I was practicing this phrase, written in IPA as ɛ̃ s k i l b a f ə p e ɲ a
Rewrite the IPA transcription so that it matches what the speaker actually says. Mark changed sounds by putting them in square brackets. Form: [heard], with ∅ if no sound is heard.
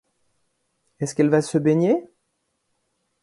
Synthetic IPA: [ɛ] s k [ɛ] l [v] a [s] ə [b] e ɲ [e]